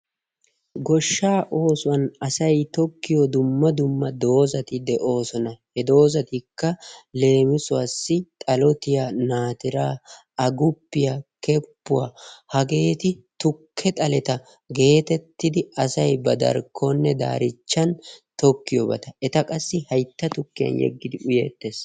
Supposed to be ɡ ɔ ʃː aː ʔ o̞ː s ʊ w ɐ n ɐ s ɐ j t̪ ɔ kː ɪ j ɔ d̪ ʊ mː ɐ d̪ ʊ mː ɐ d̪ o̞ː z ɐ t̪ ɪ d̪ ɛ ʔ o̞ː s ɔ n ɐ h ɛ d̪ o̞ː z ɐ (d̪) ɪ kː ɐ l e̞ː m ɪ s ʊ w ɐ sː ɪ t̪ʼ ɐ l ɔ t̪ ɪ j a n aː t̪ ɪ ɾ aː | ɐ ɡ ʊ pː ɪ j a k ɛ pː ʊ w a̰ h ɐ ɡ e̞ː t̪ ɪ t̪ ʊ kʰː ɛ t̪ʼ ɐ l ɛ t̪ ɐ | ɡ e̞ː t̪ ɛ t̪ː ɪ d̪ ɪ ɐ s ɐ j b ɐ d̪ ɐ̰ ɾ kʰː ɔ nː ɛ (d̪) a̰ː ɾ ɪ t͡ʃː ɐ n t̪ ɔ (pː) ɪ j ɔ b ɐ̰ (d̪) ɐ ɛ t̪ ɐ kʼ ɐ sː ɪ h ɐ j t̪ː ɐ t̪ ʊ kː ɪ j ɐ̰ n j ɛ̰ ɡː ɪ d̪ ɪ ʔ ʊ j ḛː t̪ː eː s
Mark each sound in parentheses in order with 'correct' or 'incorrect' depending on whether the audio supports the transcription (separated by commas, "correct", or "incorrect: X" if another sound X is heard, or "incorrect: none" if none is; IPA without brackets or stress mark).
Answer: incorrect: t̪, correct, incorrect: kː, incorrect: t̪